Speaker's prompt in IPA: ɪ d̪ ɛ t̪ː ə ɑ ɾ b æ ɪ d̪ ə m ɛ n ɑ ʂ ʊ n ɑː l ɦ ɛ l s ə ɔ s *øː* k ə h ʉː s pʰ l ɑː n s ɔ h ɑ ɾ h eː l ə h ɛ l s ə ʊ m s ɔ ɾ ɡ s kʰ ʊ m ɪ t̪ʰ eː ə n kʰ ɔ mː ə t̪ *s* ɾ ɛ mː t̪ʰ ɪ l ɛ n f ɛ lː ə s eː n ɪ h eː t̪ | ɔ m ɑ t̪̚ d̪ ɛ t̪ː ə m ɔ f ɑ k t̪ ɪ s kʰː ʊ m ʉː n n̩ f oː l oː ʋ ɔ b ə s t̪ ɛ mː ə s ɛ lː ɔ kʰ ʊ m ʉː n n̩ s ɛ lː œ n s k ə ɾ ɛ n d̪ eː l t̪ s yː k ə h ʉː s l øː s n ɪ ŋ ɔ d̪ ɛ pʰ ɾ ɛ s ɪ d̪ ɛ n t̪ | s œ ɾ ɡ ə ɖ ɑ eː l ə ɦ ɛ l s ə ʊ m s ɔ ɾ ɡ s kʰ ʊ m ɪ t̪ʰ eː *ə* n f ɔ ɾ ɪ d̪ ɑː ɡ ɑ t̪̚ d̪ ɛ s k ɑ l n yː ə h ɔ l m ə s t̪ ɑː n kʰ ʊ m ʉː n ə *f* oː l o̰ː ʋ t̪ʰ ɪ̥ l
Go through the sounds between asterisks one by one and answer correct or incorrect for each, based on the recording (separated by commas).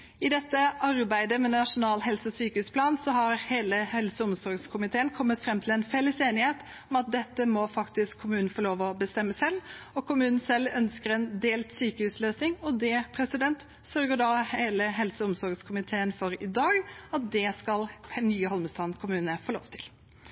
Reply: incorrect, incorrect, correct, correct